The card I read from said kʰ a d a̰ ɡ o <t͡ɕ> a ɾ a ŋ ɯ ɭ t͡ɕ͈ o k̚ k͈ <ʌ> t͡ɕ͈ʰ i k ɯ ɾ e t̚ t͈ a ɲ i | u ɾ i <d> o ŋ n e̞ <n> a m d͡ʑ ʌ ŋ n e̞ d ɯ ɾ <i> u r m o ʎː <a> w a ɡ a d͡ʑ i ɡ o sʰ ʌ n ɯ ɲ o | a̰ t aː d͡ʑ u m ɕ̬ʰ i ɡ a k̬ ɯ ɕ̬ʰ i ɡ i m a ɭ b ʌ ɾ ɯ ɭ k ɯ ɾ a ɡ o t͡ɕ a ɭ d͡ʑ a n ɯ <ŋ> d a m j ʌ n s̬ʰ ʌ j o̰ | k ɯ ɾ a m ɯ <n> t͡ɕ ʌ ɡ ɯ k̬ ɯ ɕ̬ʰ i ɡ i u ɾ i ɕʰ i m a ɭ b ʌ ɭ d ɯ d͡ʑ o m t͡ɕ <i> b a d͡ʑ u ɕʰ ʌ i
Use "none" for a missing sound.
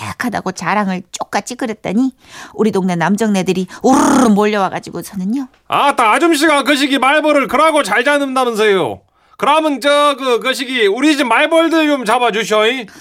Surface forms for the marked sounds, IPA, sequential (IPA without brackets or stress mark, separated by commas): t͡ɕ, a, d, n, i, ʌ, n, n, a